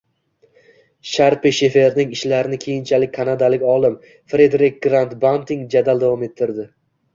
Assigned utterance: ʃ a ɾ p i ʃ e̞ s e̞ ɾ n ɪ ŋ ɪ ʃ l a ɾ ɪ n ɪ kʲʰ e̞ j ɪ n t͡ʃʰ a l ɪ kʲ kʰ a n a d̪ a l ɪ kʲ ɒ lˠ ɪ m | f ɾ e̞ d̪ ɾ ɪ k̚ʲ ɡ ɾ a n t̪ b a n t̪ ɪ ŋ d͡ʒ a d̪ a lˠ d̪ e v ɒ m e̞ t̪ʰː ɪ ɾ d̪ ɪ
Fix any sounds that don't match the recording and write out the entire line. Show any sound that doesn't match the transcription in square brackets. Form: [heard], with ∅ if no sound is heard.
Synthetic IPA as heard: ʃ a ɾ p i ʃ e̞ [f] e̞ ɾ n ɪ ŋ ɪ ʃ l a ɾ ɪ n ɪ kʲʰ e̞ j ɪ n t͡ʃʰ a l ɪ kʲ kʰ a n a d̪ a l ɪ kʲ ɒ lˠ ɪ m | f ɾ e̞ d̪ ɾ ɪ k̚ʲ ɡ ɾ a n t̪ b a n t̪ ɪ ŋ d͡ʒ a d̪ a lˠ d̪ [a] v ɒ m e̞ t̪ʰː ɪ ɾ d̪ ɪ